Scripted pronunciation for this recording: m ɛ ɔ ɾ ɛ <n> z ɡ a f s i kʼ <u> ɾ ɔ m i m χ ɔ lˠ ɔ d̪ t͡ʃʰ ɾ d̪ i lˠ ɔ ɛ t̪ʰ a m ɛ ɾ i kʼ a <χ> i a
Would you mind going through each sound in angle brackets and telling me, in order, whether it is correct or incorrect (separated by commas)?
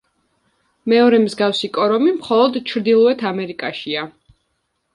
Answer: incorrect, incorrect, incorrect